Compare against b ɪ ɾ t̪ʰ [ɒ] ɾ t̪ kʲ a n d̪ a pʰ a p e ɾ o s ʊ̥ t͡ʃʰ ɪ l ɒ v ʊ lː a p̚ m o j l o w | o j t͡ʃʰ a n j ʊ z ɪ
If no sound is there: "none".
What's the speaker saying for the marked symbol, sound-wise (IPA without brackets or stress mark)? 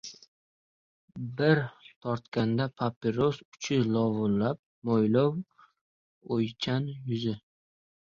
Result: ɒ